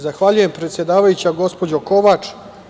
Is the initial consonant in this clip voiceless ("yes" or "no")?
no